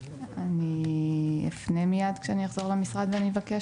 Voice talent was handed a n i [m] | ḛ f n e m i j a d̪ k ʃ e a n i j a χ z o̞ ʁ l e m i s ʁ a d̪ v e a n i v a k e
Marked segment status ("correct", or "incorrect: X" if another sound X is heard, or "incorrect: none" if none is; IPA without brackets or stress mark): incorrect: none